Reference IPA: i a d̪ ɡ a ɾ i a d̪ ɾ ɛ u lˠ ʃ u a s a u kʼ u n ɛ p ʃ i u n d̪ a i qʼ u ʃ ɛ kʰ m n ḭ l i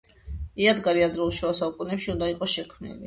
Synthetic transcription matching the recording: i a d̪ ɡ a ɾ i a d̪ ɾ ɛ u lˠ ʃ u a s a u kʼ u n ɛ p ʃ i u n d̪ a i qʼ ɔ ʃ ɛ kʰ m n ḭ l i